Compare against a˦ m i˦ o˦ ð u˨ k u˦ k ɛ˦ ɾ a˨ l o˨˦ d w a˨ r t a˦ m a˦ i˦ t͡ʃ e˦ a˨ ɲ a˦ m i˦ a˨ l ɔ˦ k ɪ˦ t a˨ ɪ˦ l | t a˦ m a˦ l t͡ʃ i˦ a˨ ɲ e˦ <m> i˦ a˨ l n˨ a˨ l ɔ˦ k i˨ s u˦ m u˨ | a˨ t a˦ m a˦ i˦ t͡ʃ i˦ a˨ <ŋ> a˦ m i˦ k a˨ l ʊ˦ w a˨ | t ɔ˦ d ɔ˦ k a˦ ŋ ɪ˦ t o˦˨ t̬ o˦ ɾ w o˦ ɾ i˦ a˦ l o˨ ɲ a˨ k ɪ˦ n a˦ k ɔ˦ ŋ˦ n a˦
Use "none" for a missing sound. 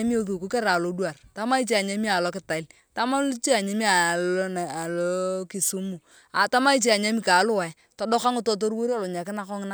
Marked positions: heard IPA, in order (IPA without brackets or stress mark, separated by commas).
m, ɲ